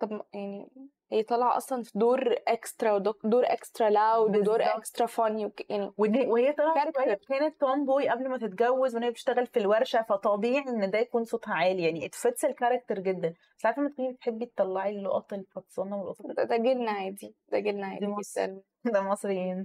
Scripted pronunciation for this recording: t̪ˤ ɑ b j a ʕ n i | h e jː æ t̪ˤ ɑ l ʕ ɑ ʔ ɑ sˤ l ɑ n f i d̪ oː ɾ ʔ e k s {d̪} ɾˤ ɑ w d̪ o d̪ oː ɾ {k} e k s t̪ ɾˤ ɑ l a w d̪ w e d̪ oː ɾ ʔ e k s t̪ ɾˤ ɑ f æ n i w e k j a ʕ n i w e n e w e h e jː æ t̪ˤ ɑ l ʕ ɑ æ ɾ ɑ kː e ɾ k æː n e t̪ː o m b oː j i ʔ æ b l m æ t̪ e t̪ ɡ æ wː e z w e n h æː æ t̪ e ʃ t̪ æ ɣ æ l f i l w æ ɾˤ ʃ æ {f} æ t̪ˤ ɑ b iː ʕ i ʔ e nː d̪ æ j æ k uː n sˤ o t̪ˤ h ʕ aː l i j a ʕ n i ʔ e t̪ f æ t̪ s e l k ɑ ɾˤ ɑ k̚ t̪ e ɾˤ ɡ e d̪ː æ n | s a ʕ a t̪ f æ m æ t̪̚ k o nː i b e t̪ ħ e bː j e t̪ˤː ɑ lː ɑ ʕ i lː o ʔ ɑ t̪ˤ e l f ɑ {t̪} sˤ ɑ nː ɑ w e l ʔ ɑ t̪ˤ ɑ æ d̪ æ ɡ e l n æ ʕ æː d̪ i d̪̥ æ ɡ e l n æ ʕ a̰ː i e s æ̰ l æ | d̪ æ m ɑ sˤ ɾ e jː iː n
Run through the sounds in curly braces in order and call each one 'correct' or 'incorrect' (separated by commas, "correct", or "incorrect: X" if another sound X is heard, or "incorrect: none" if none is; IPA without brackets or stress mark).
incorrect: t̪, incorrect: ʔ, correct, correct